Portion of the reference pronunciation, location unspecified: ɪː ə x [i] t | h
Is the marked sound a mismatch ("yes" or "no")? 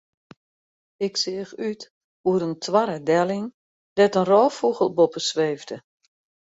yes